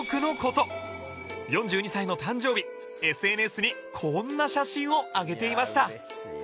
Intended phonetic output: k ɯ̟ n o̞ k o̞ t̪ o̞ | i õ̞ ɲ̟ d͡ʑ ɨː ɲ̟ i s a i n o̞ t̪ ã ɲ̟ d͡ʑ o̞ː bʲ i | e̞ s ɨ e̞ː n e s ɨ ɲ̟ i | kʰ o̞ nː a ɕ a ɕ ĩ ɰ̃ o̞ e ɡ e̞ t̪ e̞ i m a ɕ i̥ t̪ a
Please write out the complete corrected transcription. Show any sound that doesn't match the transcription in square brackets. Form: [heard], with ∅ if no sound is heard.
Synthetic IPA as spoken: k ɯ̟ n o̞ k o̞ t̪ o̞ | [j] õ̞ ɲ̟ d͡ʑ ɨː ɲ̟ i s a i n o̞ t̪ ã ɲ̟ d͡ʑ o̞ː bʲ i | e̞ s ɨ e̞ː n e s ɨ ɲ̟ i | kʰ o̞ nː a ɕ a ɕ ĩ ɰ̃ o̞ [a] ɡ e̞ t̪ e̞ i m a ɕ i̥ t̪ a